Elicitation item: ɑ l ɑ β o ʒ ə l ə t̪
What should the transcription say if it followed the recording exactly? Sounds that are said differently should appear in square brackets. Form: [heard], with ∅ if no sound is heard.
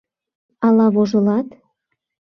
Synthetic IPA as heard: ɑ l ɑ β o ʒ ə l [ɑ] t̪